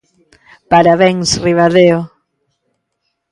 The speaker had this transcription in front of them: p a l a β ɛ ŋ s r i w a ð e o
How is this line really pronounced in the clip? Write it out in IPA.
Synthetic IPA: p a ɾ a β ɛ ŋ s r i β a ð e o